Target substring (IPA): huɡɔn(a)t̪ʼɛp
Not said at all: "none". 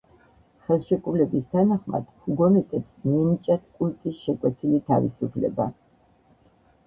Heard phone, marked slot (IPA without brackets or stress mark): ɛ